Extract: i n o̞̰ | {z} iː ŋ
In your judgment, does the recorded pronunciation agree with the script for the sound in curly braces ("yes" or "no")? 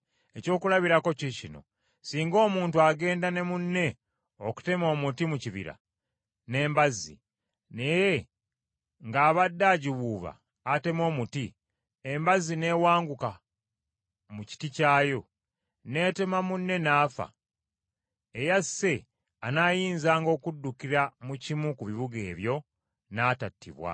no